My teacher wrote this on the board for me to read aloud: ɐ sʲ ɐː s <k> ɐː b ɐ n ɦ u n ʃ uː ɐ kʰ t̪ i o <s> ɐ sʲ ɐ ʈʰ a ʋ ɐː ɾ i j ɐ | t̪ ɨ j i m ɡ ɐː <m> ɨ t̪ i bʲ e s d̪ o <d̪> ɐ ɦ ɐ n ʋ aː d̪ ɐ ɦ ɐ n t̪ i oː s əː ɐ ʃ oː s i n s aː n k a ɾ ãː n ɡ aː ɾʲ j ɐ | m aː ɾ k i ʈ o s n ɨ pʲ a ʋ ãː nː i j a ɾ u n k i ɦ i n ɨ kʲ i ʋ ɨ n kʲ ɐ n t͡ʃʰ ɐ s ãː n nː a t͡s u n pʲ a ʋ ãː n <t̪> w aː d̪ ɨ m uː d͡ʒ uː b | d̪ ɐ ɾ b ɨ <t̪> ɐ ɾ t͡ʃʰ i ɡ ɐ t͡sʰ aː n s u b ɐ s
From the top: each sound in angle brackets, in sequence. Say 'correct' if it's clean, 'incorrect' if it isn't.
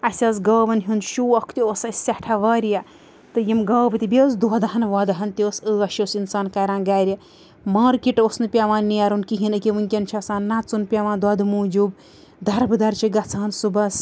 incorrect: ɡ, correct, incorrect: b, correct, incorrect: d̪, incorrect: d̪

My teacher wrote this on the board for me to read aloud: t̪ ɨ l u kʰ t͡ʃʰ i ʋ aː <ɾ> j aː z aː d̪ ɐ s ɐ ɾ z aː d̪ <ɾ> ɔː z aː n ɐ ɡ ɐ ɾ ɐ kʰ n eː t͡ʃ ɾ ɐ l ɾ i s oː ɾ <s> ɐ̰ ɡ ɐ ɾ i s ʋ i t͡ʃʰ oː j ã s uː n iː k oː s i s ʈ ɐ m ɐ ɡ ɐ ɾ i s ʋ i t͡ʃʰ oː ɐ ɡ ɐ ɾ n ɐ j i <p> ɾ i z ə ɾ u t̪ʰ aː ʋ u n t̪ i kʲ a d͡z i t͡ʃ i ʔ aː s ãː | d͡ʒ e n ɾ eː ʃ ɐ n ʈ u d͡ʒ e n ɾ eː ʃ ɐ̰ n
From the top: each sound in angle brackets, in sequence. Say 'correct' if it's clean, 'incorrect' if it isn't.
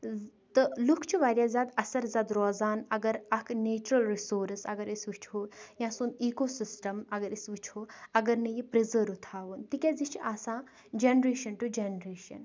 correct, correct, correct, correct

